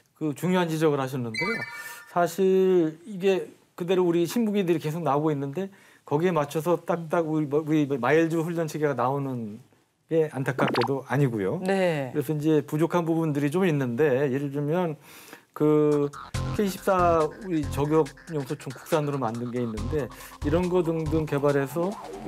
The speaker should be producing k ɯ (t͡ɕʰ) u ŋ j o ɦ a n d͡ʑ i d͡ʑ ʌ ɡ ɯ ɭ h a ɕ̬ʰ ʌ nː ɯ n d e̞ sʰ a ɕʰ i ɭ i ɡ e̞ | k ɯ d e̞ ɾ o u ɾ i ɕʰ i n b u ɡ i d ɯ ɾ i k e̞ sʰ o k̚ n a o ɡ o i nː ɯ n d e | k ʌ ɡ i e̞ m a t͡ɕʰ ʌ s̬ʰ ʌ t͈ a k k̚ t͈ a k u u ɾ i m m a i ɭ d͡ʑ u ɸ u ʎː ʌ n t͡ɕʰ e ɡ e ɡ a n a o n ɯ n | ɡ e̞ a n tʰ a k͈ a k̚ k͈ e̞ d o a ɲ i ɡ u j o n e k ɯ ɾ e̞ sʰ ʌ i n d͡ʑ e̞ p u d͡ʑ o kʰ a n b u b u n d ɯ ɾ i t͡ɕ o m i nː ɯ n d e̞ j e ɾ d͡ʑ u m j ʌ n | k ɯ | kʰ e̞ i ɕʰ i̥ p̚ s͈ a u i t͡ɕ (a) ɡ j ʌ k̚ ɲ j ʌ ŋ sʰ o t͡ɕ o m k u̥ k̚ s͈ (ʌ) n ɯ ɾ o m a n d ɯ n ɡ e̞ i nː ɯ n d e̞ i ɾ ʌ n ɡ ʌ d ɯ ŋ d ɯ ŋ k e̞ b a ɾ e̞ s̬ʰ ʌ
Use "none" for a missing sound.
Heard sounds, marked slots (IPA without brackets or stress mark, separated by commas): t͡ɕ, ʌ, a